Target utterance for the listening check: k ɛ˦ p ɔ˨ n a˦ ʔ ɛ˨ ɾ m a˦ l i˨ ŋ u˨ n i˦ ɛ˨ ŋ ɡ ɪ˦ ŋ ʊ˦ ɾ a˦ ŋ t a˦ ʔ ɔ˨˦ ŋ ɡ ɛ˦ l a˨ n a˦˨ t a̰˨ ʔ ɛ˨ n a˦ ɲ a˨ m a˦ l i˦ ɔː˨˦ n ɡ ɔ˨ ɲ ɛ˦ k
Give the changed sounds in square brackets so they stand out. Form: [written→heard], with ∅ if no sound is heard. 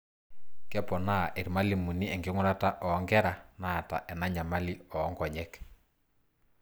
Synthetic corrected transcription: k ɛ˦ p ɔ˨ n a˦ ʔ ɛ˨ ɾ m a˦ l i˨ [ŋ→m] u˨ n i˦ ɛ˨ ŋ ɡ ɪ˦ ŋ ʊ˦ ɾ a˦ [ŋ→∅] t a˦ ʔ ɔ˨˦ ŋ ɡ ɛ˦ [l→ɾ] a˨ n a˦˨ t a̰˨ ʔ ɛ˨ n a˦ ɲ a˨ m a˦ l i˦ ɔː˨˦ [n→ŋ] ɡ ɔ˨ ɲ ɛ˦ k